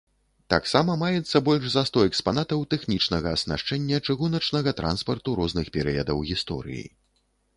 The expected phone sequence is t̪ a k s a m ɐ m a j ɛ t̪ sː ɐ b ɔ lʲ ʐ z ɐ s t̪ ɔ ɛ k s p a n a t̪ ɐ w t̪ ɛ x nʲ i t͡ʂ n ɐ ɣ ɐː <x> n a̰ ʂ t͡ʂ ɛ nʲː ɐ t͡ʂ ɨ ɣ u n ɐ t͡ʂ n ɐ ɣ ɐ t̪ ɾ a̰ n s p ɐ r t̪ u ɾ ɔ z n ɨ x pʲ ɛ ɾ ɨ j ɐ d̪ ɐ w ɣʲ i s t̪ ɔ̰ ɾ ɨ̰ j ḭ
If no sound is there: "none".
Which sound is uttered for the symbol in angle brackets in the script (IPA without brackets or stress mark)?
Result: s